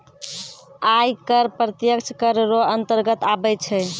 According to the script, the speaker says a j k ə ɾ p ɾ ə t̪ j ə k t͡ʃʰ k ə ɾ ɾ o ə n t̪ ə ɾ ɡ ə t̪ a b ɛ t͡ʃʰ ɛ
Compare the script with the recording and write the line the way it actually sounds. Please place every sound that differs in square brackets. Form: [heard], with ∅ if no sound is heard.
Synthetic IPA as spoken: a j k ə ɾ p ɾ ə t̪ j ə k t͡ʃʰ k ə ɾ ɾ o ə n t̪ ə ɾ ɡ ə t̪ a b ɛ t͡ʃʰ ɛ